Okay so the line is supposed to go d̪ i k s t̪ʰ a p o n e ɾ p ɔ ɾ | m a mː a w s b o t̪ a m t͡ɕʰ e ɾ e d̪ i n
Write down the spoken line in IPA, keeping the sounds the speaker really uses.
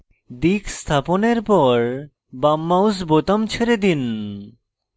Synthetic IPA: d̪ i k s t̪ʰ a p o n e ɾ p ɔ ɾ | b a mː a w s b o t̪ a m t͡ɕʰ e ɾ e d̪ i n